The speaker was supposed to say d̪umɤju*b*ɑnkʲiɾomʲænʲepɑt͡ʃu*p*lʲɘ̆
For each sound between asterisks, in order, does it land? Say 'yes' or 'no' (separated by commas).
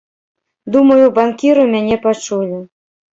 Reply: yes, no